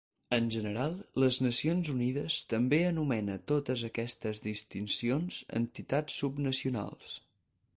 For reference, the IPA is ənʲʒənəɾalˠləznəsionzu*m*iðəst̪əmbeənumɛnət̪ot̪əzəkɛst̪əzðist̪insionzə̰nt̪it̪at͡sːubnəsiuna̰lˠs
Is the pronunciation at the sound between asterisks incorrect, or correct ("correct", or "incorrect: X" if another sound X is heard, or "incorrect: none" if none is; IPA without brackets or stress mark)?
incorrect: n